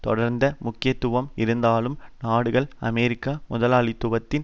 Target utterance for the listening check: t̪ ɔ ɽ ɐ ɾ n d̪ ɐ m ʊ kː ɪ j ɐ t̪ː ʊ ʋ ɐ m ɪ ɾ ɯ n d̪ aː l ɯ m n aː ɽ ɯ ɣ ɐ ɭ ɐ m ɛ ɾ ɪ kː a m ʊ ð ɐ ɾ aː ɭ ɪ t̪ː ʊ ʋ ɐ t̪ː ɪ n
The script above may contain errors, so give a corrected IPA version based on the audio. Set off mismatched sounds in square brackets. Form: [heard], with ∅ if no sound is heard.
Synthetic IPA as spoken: t̪ ɔ ɽ ɐ ɾ n d̪ ɐ m ʊ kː ɪ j ɐ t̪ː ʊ ʋ ɐ m ɪ ɾ ɯ n d̪ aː l ɯ m n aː ɽ ɯ ɣ ɐ ɭ ɐ m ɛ ɾ ɪ kː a m ʊ ð ɐ [l] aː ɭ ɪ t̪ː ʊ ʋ ɐ t̪ː ɪ n